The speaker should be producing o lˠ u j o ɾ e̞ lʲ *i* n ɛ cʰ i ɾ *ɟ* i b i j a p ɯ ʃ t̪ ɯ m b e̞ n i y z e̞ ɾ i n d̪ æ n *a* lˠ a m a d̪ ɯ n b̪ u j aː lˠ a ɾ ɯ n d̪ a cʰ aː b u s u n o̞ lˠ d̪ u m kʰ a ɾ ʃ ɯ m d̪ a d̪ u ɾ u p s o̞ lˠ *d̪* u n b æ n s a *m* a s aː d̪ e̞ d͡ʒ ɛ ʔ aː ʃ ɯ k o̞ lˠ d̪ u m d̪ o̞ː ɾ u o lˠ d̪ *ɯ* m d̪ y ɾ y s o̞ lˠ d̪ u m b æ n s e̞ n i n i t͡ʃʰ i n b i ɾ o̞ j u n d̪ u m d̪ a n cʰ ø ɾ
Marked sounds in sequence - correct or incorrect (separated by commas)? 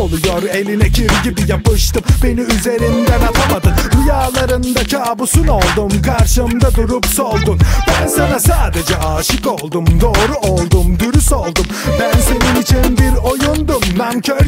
correct, correct, correct, correct, incorrect, incorrect